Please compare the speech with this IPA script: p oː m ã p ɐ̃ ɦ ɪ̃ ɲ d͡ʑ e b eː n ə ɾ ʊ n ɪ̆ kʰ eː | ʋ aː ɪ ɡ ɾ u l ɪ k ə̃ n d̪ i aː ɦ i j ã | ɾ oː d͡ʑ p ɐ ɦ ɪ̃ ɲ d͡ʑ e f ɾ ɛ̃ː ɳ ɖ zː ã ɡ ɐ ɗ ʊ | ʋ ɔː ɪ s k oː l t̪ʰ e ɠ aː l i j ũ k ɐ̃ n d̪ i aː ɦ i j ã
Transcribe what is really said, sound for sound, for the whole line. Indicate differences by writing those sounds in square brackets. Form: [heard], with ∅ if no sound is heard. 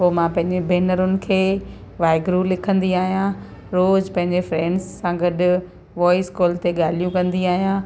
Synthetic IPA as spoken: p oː m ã p ɐ̃ ɦ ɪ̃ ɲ d͡ʑ e b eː n ə ɾ ʊ n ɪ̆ kʰ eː | ʋ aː ɪ ɡ ɾ u l ɪ [kʰ] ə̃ n d̪ i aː ɦ i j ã | ɾ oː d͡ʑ p [ɐ̃] ɦ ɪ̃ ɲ d͡ʑ e f ɾ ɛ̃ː ɳ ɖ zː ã ɡ ɐ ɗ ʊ | ʋ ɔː ɪ s k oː l [t̪] e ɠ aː l i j ũ k ɐ̃ n d̪ i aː ɦ i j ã